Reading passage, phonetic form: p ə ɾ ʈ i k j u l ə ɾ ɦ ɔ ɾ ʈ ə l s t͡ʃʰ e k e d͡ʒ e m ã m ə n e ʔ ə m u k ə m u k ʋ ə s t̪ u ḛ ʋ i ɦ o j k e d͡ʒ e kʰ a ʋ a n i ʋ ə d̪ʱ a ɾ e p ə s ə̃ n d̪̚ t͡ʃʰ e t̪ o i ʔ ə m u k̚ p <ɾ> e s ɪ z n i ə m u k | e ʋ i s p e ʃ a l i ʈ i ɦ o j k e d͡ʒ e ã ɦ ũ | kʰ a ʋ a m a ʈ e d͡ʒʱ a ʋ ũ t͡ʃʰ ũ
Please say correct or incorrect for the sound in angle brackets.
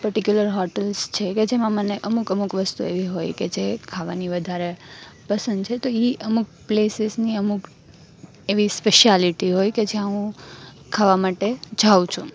incorrect